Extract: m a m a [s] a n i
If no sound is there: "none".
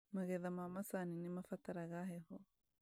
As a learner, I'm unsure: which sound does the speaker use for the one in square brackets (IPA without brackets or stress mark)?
s